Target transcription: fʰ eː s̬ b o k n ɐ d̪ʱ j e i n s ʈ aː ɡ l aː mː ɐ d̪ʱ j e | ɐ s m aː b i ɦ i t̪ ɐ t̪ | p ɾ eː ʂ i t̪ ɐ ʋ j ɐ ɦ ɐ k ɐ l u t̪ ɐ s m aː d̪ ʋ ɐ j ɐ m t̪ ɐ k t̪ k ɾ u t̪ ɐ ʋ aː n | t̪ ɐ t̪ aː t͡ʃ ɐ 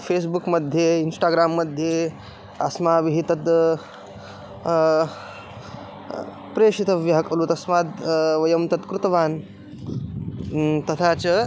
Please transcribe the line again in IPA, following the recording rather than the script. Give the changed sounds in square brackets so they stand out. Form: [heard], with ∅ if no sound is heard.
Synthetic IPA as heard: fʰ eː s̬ b [u] k [m] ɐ d̪ʱ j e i n s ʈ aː ɡ [ɾ] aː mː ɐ d̪ʱ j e | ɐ s m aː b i ɦ i t̪ ɐ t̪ | p ɾ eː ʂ i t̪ ɐ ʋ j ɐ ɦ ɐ k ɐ l u t̪ ɐ s m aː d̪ ʋ ɐ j ɐ m t̪ ɐ [∅] t̪ k ɾ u t̪ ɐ ʋ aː n | t̪ ɐ [t̪ʰ] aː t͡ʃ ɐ